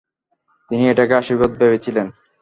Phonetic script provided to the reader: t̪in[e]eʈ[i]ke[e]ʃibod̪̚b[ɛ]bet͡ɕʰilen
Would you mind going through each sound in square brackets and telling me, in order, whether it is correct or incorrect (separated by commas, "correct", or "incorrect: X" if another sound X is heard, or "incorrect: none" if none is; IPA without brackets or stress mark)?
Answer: incorrect: i, incorrect: a, incorrect: a, incorrect: e